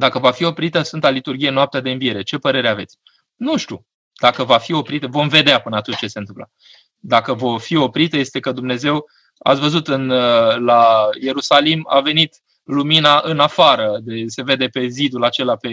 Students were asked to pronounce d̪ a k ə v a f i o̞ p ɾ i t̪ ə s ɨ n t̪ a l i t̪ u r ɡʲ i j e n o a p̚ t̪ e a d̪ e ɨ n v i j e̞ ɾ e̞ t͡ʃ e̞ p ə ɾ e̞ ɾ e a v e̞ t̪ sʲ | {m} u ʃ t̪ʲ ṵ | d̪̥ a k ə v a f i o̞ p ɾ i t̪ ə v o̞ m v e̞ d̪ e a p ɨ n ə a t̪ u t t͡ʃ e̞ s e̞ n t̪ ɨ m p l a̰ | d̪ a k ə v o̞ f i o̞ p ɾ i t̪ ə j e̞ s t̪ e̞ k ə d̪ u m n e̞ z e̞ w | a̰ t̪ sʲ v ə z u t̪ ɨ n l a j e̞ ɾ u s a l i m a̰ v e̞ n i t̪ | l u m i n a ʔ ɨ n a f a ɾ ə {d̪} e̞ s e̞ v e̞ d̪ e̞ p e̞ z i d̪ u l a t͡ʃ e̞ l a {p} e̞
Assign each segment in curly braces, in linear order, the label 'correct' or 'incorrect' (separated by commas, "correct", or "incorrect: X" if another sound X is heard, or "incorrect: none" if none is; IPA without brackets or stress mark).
incorrect: n, correct, correct